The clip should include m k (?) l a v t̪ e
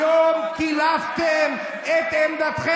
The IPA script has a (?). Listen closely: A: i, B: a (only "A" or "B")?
A